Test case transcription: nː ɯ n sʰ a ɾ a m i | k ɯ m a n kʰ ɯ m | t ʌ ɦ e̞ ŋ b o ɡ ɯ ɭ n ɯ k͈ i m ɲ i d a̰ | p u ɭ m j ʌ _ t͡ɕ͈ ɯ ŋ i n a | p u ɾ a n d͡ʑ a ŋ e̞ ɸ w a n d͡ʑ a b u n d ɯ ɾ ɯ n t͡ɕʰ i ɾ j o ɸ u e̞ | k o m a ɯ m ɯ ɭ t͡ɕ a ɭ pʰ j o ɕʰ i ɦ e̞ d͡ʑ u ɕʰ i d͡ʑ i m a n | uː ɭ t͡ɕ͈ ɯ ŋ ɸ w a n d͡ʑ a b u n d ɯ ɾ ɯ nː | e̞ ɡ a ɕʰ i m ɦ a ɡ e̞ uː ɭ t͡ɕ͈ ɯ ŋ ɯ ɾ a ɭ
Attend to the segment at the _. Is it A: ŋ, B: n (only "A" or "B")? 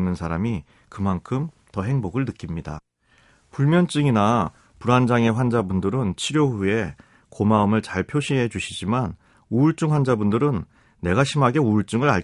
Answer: B